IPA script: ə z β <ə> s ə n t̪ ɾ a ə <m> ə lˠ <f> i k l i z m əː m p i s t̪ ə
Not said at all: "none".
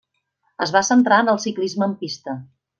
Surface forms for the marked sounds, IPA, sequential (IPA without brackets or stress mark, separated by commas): a, n, s